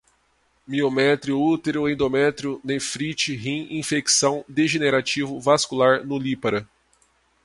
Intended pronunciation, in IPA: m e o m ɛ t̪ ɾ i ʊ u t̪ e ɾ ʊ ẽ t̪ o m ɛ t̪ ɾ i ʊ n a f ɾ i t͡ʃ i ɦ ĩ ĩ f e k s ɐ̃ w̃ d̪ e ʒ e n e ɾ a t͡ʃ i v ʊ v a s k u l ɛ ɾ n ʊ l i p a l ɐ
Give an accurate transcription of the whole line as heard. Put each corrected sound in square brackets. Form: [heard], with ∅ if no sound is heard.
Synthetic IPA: m [i] o m ɛ t̪ ɾ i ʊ u t̪ e ɾ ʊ ẽ [d̪] o m ɛ t̪ ɾ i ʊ n [e] f ɾ i t͡ʃ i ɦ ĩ ĩ f e k s ɐ̃ w̃ d̪ e ʒ e n e ɾ a t͡ʃ i v ʊ v a s k u l [a] ɾ n ʊ l i p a [ɾ] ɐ